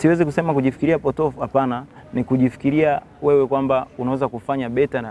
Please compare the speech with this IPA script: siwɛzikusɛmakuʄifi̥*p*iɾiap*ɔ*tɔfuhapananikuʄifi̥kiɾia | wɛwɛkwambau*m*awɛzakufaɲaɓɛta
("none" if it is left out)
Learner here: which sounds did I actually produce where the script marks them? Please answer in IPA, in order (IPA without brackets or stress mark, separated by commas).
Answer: k, ɔ, n